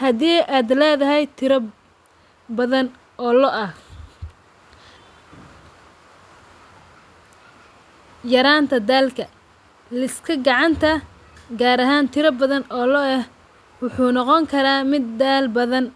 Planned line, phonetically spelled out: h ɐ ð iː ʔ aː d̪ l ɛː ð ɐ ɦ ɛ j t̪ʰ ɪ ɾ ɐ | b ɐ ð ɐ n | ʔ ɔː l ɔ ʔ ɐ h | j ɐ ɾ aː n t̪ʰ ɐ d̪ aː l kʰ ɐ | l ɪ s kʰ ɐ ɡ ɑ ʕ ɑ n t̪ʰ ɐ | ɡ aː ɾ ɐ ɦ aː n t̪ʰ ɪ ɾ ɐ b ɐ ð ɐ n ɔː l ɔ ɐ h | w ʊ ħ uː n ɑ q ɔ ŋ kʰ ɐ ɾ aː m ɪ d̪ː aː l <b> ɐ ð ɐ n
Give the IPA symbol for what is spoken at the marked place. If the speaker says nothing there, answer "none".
b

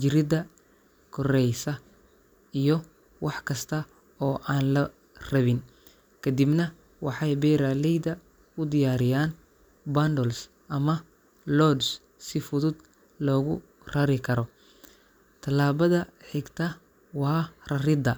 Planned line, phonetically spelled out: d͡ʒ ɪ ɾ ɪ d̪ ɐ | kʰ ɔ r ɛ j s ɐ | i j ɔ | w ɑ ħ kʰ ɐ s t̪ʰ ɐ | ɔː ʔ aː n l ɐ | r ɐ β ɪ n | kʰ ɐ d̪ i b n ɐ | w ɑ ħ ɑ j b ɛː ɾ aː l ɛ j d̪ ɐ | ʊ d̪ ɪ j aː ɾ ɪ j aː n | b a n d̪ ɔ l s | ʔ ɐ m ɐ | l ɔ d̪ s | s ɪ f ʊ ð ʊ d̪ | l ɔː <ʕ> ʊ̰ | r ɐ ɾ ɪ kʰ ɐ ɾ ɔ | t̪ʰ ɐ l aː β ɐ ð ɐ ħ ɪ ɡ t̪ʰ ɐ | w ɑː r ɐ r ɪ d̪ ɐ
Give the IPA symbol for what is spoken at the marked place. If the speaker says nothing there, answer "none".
ɣ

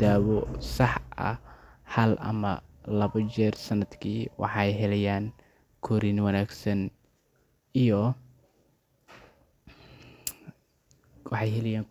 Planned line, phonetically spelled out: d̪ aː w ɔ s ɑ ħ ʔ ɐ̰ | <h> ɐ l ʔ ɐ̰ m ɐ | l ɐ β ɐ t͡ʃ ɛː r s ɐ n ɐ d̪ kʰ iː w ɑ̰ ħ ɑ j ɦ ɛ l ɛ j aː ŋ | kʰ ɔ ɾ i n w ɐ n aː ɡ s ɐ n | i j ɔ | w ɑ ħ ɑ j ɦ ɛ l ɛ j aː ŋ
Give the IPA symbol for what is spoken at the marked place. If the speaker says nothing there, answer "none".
h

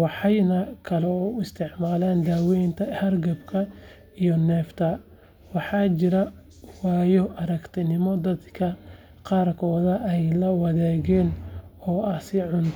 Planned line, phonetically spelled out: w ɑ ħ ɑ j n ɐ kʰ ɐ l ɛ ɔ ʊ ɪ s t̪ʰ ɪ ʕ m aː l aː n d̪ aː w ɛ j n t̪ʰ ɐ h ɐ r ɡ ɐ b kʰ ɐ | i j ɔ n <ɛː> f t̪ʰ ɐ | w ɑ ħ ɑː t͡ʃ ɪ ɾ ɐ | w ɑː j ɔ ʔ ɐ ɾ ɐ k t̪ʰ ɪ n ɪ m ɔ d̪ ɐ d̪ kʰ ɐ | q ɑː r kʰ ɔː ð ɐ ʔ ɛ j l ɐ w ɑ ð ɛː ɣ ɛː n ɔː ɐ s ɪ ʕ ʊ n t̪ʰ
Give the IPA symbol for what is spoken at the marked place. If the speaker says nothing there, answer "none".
ɛː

